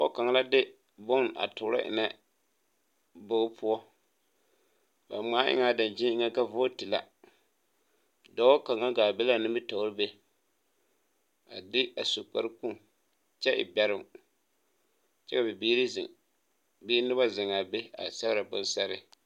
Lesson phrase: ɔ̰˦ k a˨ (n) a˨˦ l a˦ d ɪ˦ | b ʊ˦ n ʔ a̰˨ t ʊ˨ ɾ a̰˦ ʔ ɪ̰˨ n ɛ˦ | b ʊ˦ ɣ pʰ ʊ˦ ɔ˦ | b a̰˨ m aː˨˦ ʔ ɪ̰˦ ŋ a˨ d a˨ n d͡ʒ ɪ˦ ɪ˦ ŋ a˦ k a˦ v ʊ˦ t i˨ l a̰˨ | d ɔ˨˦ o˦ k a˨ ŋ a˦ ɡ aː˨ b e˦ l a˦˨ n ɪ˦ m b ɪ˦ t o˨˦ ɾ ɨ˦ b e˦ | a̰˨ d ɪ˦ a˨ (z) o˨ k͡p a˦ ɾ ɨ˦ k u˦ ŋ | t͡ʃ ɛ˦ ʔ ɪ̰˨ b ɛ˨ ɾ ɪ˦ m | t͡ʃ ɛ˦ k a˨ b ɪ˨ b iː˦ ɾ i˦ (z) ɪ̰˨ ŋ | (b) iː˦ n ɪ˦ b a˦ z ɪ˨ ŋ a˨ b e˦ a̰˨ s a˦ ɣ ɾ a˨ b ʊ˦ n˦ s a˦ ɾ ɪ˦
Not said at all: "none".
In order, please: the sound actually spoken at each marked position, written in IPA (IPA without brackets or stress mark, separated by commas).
ŋ, s, z, b